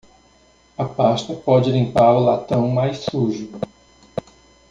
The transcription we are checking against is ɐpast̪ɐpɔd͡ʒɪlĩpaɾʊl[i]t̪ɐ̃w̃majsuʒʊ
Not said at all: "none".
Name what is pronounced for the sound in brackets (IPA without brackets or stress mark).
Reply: a